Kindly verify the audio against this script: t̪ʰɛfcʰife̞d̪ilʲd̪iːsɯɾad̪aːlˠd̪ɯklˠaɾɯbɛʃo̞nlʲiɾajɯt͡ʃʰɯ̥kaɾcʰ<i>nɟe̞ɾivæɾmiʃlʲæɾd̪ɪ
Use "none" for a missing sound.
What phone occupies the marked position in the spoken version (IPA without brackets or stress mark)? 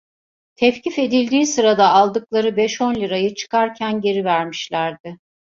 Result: æ